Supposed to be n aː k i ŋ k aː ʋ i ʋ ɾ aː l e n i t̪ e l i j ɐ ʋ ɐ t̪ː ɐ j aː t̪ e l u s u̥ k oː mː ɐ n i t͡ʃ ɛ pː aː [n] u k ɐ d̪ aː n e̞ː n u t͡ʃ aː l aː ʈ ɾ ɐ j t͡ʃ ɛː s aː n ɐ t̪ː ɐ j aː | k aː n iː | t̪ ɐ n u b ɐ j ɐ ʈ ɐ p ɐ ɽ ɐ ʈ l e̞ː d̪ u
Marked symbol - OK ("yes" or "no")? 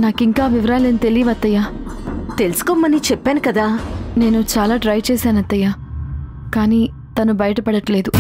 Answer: yes